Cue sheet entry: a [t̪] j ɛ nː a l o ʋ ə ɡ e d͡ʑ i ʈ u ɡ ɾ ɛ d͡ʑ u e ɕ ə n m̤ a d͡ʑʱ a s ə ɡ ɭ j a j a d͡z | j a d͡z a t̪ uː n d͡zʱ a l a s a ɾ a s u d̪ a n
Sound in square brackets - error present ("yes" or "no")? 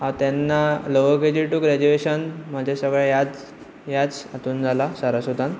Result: no